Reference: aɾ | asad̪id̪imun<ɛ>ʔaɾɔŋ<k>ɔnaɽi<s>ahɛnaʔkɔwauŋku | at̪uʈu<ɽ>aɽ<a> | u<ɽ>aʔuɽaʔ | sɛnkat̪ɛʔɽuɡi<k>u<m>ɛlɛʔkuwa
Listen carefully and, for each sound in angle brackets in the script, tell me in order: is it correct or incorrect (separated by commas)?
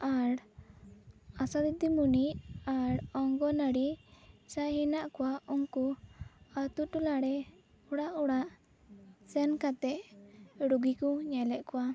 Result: incorrect, incorrect, correct, incorrect, incorrect, correct, correct, incorrect